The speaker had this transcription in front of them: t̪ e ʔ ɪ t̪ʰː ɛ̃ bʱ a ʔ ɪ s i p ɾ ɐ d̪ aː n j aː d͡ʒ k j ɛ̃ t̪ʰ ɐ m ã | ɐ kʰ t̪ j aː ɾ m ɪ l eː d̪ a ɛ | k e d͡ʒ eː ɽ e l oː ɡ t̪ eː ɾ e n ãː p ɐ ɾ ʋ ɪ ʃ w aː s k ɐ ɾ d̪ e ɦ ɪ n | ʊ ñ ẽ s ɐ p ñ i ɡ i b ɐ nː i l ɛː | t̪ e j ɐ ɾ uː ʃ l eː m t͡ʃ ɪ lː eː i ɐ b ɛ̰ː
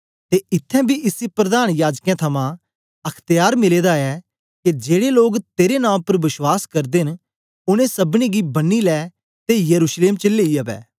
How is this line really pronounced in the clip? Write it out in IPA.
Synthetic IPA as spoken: t̪ e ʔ ɪ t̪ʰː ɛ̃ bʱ i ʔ ɪ s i p ɾ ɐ d̪ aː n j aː d͡ʒ k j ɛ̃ t̪ʰ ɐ m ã | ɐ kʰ t̪ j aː ɾ m ɪ l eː d̪ a ɛ | k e d͡ʒ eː ɽ e l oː ɡ t̪ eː ɾ e n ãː p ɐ ɾ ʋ ɪ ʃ w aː s k ɐ ɾ d̪ e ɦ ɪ n | ʊ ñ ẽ s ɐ b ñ i ɡ i b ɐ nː i l ɛː | t̪ e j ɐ ɾ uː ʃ l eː m t͡ʃ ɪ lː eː i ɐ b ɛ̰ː